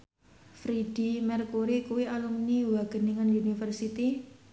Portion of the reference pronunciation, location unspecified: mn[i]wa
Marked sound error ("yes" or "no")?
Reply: no